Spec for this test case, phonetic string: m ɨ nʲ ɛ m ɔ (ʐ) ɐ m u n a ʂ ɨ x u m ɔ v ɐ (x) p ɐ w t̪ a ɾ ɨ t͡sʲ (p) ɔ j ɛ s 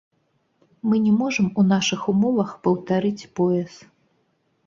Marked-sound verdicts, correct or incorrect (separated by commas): correct, correct, correct